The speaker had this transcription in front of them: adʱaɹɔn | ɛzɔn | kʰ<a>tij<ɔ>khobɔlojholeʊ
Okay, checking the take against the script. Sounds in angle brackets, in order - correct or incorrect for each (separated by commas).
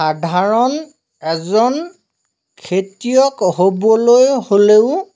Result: incorrect, correct